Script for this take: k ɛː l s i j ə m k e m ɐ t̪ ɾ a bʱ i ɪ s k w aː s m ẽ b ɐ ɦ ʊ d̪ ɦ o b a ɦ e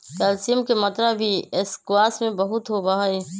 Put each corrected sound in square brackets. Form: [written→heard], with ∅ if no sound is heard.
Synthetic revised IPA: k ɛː l s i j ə m k e m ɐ t̪ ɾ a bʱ i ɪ s k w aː s m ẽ b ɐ ɦ ʊ [d̪→t̪] ɦ o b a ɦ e

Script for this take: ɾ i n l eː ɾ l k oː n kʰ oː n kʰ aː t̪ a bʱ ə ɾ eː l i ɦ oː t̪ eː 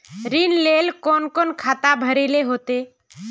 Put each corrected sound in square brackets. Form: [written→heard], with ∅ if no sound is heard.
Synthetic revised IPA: ɾ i n l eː [ɾ→∅] l k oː n [kʰ→k] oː n kʰ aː t̪ a bʱ ə ɾ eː l [i→e] ɦ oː t̪ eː

